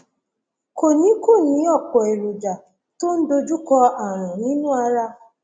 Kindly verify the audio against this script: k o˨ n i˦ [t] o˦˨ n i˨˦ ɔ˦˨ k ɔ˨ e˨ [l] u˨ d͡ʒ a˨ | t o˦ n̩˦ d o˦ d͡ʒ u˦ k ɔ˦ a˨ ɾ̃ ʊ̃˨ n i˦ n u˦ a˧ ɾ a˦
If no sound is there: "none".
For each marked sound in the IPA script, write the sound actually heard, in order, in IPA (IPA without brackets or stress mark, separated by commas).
k, ɾ